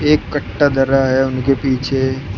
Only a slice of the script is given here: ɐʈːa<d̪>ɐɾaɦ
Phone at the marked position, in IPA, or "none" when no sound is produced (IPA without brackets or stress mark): d̪